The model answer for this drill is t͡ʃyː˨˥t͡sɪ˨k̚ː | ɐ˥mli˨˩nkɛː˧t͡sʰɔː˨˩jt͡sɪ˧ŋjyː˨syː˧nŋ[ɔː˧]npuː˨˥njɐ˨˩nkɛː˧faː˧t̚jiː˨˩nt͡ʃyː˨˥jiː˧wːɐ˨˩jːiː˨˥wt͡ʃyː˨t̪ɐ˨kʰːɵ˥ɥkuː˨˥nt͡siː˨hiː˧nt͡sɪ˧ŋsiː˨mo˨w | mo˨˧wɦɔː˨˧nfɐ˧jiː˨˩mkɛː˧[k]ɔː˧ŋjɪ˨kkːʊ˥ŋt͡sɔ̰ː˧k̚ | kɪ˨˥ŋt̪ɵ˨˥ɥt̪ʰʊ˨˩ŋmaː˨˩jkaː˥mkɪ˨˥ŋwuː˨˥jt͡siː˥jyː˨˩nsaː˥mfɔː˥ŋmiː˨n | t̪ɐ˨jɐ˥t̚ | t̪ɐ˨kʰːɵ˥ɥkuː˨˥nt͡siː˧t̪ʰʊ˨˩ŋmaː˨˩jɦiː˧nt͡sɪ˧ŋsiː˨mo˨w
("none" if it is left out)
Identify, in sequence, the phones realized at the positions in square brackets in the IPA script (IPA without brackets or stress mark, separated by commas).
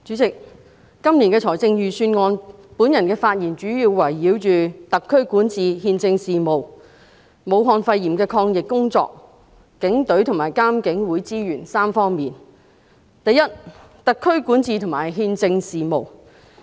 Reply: ɔː˧, kʰ